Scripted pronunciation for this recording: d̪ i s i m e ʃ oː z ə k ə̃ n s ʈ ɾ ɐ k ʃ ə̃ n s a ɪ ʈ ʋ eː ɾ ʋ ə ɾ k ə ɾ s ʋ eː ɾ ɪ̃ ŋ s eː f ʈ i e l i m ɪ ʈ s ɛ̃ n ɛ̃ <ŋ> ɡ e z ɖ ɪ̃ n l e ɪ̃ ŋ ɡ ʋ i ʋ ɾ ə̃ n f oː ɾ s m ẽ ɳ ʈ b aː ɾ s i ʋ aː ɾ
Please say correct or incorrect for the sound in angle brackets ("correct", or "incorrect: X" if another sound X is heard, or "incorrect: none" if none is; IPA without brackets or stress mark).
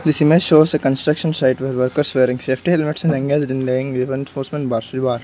correct